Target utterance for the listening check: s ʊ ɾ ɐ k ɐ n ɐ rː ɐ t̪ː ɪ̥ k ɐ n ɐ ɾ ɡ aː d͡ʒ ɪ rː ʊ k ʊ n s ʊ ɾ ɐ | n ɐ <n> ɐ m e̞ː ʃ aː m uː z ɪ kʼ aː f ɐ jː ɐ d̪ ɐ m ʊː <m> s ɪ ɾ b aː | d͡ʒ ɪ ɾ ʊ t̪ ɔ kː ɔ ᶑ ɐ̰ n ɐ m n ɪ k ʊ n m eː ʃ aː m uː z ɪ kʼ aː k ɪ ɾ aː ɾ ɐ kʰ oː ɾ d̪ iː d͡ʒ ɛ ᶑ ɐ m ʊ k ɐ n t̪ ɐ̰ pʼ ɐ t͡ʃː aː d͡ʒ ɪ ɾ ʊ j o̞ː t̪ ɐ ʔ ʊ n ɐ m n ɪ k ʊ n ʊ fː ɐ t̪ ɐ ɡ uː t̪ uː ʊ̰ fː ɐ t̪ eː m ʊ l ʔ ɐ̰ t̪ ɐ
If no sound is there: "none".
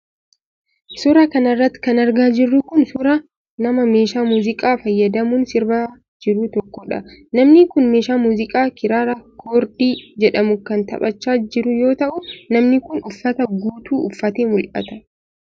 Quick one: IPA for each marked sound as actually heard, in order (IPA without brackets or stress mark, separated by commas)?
m, n